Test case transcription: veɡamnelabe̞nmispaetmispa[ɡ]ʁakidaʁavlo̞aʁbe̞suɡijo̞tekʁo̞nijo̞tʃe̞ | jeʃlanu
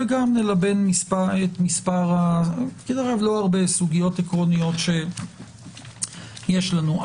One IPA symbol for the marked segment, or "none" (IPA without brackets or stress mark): none